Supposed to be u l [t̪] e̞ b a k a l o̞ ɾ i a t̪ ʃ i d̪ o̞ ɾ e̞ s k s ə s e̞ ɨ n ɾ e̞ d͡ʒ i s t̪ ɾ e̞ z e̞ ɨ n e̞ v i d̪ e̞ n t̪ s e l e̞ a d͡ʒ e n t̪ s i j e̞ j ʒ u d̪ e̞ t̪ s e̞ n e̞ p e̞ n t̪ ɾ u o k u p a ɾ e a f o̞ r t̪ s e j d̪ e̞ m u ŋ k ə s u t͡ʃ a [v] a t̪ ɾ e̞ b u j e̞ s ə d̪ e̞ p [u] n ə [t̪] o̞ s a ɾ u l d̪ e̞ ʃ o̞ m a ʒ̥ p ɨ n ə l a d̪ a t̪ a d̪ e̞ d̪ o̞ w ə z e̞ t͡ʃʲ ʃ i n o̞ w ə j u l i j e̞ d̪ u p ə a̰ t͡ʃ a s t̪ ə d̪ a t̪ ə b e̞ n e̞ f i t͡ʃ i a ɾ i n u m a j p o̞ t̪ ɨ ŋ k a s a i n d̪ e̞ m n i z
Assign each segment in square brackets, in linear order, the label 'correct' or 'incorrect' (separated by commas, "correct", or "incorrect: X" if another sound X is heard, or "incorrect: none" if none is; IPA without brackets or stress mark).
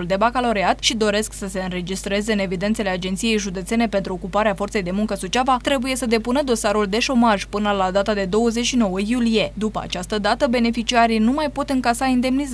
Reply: incorrect: d̪, correct, correct, incorrect: d̪